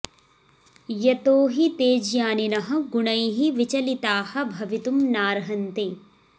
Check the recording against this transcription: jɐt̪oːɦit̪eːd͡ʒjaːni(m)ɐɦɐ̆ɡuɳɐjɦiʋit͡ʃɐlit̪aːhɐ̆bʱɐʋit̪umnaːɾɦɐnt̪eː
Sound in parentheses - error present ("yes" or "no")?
yes